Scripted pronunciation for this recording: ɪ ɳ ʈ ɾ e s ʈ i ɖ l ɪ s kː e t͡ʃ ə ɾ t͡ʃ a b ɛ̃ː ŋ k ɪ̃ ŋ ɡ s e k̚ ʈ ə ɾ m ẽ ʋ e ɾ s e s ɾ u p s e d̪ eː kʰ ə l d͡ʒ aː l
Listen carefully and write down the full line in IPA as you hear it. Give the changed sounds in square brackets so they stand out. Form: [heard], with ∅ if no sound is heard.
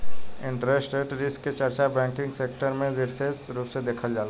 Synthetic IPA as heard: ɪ ɳ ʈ ɾ e s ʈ [e] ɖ [ɾ] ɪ s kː e t͡ʃ ə ɾ t͡ʃ a b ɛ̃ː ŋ k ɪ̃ ŋ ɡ s e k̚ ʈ ə ɾ m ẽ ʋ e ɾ s e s ɾ u p s e d̪ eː kʰ ə l d͡ʒ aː l